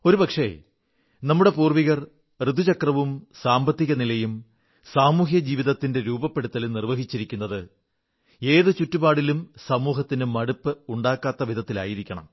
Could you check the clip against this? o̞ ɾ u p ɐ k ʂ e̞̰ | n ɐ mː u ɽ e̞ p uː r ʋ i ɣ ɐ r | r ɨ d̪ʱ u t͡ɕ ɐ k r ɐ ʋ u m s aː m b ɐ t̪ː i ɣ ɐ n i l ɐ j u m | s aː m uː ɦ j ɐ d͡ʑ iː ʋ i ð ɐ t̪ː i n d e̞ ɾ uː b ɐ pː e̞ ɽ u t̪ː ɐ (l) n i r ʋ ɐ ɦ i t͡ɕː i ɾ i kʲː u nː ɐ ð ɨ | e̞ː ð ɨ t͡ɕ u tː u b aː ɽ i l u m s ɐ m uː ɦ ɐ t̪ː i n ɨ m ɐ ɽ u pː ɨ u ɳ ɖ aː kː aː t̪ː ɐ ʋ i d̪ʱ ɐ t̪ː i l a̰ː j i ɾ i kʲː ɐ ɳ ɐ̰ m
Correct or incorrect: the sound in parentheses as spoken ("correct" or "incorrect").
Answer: correct